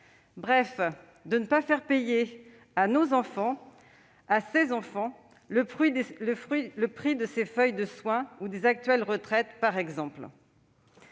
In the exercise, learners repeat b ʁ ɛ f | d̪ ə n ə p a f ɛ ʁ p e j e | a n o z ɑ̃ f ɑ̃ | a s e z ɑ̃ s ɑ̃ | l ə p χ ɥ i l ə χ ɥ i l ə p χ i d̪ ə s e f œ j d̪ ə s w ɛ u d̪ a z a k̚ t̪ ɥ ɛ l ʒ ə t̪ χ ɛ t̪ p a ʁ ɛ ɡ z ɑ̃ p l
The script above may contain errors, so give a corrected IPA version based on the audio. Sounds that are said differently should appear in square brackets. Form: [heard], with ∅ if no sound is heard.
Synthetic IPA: b ʁ ɛ f | d̪ ə n ə p a f ɛ ʁ p e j e | a n o z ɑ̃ f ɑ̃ | a s e z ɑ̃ [f] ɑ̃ | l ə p χ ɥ i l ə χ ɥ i l ə p χ i d̪ ə s e f œ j d̪ ə s w [ɛ̃] u d̪ [e] z a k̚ t̪ ɥ ɛ l [ʁ] ə t̪ χ ɛ t̪ p a ʁ ɛ ɡ z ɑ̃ p l